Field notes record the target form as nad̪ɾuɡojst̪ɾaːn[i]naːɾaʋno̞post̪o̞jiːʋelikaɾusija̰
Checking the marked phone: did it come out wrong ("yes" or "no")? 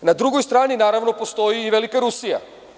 no